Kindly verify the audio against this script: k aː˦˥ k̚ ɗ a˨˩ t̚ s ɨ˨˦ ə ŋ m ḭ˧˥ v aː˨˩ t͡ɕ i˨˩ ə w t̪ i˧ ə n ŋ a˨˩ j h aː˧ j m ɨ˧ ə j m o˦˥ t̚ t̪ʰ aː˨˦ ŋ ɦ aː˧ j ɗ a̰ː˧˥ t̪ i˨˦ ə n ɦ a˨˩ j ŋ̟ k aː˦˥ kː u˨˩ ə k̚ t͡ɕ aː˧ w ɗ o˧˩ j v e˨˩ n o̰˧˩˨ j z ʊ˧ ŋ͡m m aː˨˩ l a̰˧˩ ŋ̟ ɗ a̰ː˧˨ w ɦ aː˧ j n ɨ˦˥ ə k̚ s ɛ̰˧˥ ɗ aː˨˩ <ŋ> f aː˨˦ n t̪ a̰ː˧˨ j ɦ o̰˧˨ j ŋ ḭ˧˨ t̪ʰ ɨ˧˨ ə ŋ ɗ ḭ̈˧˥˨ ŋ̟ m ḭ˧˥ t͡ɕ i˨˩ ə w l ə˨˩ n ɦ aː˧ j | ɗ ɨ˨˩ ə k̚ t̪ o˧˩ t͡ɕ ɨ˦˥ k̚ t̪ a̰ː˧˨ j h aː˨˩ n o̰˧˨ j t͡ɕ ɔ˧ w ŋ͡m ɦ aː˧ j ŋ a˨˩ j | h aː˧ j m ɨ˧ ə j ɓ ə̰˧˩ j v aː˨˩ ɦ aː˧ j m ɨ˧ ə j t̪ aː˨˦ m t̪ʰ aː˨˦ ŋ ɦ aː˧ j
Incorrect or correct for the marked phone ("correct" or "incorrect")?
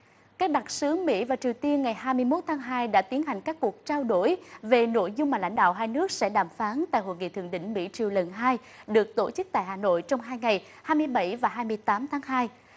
incorrect